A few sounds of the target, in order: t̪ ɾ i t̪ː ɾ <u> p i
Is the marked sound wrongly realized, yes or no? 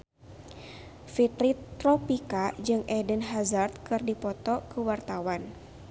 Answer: yes